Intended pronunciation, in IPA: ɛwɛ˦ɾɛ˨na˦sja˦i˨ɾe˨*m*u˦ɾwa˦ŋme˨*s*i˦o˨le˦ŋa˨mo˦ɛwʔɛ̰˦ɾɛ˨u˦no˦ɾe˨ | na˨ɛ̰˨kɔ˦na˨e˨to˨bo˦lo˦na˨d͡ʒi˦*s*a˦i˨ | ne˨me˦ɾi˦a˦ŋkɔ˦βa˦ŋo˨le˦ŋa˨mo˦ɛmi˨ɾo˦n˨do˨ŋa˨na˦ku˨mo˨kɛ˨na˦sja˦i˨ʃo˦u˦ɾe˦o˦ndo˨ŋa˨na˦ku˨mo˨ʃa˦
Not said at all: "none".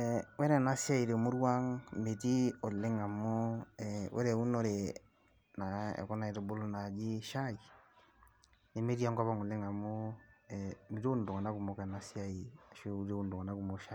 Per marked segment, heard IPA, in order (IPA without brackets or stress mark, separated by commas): m, t, ʃ